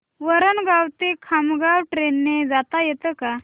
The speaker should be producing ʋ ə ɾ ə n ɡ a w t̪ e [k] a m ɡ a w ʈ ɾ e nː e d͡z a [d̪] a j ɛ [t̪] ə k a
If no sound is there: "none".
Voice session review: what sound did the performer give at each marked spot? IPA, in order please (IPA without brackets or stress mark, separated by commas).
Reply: kʰ, t̪, t̪